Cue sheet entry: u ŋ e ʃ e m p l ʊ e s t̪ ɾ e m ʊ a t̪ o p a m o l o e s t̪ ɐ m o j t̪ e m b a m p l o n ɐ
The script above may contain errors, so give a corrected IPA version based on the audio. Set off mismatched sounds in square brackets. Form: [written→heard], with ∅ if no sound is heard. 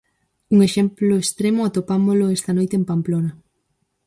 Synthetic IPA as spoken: u ŋ e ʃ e m p l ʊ e s t̪ ɾ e m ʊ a t̪ o p a m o l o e s t̪ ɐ [m→n] o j t̪ e m [b→p] a m p l o n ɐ